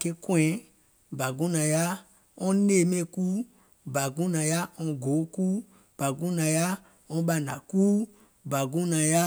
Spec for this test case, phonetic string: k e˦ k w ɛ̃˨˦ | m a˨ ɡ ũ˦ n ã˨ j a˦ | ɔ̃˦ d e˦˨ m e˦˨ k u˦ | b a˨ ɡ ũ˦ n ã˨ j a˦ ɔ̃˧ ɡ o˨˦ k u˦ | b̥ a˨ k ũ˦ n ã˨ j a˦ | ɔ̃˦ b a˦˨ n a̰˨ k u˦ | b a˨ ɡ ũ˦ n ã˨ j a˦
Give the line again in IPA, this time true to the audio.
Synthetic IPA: k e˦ k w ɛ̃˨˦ | b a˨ ɡ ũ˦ n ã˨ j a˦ | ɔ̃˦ n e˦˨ m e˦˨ k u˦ | b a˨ ɡ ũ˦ n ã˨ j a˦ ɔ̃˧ ɡ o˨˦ k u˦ | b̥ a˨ ɡ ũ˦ n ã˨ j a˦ | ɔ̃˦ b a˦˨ n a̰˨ k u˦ | b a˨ ɡ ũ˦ n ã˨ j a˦